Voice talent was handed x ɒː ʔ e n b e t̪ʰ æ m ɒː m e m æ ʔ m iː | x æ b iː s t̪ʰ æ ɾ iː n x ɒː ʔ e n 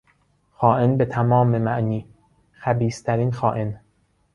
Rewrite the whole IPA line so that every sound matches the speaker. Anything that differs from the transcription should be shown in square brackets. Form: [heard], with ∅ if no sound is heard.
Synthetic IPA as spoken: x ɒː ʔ e n b e t̪ʰ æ m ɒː m e m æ ʔ [n] iː | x æ b iː s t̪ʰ æ ɾ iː n x ɒː ʔ e n